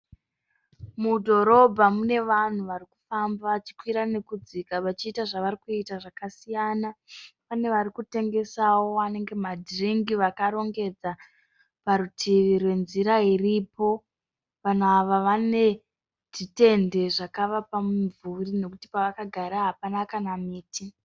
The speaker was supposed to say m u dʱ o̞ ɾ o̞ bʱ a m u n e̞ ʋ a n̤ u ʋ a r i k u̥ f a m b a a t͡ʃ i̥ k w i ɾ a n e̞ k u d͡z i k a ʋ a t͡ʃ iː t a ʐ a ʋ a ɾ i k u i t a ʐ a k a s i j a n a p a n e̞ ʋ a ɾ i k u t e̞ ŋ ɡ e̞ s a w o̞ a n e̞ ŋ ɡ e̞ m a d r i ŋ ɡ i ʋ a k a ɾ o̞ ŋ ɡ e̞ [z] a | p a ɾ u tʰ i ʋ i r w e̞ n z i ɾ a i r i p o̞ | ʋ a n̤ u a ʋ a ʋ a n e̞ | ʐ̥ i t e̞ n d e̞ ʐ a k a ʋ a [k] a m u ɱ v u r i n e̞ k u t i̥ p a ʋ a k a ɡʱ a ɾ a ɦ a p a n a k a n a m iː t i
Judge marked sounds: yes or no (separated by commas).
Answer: no, no